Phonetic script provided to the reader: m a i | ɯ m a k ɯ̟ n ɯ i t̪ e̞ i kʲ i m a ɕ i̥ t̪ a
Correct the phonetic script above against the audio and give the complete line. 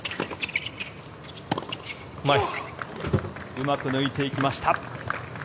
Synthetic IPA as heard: m a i | ɯ m a k ɯ̟ n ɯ i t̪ e̞ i kʲ i m a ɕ i̥ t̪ a